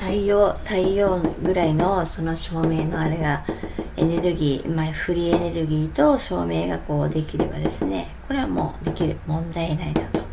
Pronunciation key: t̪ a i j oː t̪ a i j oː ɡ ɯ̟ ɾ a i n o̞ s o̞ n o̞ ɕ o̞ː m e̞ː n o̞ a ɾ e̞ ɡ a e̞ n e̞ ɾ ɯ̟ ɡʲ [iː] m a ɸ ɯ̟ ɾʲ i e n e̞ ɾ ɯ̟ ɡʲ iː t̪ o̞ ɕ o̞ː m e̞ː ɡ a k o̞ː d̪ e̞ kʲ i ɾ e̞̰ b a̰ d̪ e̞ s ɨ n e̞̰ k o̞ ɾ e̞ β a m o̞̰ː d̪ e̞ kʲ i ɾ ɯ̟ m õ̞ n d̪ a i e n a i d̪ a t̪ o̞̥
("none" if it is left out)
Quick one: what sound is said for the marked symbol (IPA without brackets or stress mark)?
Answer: iː